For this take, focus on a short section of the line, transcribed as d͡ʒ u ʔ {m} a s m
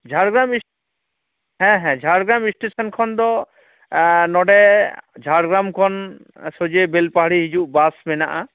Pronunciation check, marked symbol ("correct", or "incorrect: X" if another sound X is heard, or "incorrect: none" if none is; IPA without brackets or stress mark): incorrect: b